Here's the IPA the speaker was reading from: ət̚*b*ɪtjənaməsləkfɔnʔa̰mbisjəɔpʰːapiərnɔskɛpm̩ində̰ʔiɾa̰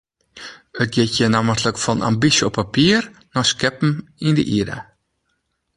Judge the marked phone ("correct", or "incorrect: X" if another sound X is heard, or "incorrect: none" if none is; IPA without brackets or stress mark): incorrect: ɡ